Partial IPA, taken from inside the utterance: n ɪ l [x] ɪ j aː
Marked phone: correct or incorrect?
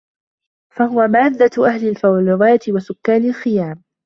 correct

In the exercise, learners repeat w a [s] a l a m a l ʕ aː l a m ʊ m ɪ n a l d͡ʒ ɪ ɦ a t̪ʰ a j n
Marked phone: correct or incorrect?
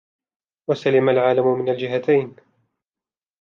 correct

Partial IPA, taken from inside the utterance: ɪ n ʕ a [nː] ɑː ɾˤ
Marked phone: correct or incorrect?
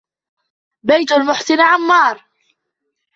incorrect: mː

